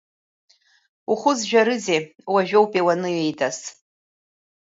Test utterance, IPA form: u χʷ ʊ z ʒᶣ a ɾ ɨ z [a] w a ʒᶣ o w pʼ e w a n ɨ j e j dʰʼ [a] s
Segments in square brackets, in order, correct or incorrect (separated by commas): incorrect, correct